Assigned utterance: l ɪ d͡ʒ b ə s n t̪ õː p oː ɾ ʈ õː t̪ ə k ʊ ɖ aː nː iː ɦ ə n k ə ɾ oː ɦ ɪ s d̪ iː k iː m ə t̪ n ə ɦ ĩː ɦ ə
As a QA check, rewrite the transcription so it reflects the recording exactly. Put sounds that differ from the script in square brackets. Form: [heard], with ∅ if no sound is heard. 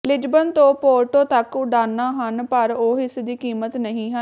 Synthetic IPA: l ɪ d͡ʒ b ə [∅] n t̪ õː p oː ɾ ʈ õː t̪ ə k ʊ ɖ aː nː [aː] ɦ ə n [p] ə ɾ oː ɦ ɪ s d̪ iː k iː m ə t̪ n ə ɦ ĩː ɦ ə